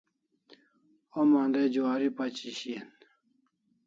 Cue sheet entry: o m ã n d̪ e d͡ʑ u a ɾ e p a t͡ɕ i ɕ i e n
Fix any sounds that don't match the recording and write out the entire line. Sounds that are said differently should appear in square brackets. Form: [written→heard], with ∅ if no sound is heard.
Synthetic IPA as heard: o m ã n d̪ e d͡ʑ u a ɾ [e→i] p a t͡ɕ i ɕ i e n